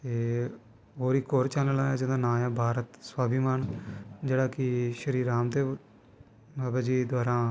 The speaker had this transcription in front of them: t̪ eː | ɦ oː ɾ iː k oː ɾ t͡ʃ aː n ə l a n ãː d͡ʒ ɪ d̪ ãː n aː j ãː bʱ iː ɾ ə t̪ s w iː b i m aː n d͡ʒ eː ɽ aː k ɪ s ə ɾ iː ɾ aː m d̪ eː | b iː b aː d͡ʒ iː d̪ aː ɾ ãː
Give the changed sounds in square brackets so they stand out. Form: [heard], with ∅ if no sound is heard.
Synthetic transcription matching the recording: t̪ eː | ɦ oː ɾ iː k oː ɾ t͡ʃ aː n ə l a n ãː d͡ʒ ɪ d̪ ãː n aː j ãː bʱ [aː] ɾ ə t̪ s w [aː] b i m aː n d͡ʒ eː ɽ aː k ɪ [ʃ] ə ɾ iː ɾ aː m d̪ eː | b [aː] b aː d͡ʒ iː d̪ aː ɾ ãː